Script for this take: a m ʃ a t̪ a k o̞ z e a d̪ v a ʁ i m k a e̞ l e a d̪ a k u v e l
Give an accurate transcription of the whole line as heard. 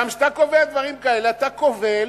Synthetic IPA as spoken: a m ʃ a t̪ a k o̞ v e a d̪ v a ʁ i m k a e̞ l e a t̪ a k o v e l